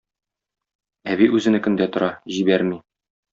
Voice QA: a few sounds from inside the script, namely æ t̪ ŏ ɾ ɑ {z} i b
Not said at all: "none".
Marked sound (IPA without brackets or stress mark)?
ʑ